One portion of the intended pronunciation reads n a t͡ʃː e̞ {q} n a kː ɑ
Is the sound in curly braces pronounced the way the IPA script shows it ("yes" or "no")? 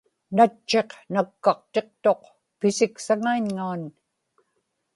yes